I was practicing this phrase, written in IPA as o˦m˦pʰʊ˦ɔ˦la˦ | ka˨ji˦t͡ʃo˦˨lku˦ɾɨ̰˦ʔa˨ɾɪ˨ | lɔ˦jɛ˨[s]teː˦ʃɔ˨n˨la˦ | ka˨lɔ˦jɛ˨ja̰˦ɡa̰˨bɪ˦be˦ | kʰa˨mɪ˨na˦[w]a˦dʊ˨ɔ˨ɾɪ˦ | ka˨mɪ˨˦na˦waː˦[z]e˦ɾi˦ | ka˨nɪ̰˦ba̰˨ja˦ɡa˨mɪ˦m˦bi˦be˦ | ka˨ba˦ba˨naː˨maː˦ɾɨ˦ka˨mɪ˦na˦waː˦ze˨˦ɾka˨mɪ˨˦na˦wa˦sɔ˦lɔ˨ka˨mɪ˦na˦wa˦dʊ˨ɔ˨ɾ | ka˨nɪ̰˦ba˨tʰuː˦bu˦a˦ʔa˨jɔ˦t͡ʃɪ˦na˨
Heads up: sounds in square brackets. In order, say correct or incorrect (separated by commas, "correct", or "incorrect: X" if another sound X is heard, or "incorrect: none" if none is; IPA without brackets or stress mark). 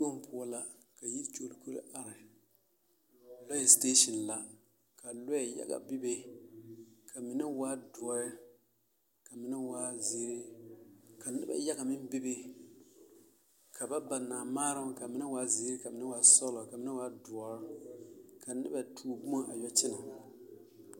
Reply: correct, correct, correct